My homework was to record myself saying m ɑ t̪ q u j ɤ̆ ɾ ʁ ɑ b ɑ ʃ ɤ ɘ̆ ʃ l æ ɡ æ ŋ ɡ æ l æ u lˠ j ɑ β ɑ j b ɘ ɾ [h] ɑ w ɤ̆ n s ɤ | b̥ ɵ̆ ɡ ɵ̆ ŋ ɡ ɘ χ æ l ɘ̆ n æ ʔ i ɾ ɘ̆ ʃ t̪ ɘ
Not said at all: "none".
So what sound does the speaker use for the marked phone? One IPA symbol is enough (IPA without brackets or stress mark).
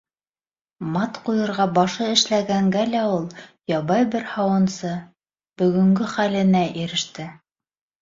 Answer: h